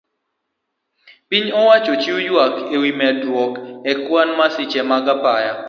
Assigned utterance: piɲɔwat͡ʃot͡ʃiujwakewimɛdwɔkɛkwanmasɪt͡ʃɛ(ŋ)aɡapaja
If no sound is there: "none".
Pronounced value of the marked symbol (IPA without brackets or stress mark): m